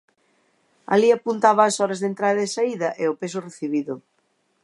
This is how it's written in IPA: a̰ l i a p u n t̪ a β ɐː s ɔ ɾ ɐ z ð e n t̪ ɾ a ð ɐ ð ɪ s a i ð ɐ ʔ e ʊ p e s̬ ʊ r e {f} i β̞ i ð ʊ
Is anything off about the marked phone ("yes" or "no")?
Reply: yes